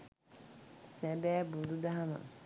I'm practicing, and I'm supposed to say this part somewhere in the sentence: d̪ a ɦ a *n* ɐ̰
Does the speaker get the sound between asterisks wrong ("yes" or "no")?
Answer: yes